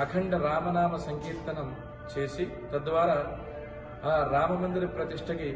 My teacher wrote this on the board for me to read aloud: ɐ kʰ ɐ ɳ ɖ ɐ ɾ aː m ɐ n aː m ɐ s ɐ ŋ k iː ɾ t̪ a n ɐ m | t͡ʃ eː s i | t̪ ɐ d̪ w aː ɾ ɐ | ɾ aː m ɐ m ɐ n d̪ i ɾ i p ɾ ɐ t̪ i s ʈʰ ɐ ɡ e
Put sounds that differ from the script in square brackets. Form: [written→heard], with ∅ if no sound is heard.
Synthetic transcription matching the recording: ɐ kʰ ɐ ɳ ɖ ɐ ɾ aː m ɐ n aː m ɐ s ɐ ŋ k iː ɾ t̪ [a→ɐ] n ɐ m | t͡ʃ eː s i | t̪ ɐ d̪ [w→ʋ] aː ɾ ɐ | ɾ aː m ɐ m ɐ n d̪ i ɾ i p ɾ ɐ t̪ i [s→ʂ] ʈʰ ɐ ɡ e